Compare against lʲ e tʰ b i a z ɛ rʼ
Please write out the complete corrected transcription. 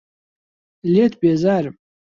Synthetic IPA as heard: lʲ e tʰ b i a z a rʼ